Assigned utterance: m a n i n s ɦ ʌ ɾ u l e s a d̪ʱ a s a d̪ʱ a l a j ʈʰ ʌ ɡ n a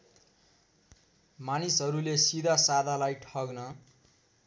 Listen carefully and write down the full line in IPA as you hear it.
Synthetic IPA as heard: m a n i s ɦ ʌ ɾ u l e s i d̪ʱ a s a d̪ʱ a l a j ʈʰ ʌ ɡ n ʌ